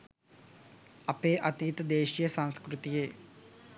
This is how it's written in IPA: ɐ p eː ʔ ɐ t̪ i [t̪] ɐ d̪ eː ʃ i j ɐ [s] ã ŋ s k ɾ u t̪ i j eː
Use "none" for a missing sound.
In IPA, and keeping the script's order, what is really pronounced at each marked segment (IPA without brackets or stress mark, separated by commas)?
t̪, s